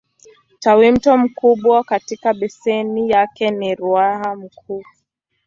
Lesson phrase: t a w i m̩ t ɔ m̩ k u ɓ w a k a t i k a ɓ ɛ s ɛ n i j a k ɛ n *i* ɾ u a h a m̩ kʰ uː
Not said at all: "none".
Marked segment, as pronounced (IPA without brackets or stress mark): i